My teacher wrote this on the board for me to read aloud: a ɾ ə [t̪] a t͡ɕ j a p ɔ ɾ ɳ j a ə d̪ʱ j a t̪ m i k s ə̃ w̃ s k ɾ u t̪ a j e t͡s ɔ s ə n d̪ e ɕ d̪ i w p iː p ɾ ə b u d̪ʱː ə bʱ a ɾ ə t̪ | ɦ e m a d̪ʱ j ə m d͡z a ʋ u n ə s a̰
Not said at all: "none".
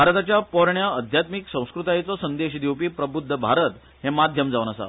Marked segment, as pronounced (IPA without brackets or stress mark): t̪